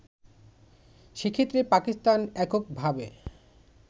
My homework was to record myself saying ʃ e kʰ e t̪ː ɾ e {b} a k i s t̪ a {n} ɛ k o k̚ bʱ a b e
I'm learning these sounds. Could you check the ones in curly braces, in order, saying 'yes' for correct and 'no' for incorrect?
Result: no, yes

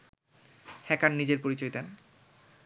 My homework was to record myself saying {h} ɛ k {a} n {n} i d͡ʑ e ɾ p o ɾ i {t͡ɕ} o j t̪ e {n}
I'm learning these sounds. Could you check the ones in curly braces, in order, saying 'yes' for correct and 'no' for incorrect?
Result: yes, yes, yes, yes, yes

